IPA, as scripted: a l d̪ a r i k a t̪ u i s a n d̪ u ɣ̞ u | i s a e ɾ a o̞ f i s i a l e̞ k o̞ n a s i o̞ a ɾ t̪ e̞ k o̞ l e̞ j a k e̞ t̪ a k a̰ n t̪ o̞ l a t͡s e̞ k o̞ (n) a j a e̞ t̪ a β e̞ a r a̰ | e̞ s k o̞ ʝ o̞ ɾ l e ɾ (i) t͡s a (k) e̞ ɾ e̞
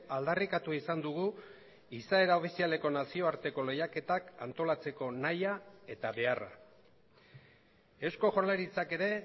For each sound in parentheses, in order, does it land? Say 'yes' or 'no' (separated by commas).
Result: yes, yes, yes